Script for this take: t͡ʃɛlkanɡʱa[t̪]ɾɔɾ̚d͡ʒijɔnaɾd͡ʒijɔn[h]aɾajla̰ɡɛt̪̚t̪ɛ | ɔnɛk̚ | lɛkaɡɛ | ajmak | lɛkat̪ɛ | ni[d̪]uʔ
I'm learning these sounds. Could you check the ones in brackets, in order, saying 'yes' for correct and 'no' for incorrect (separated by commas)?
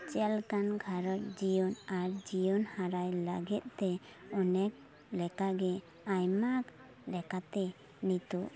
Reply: no, yes, no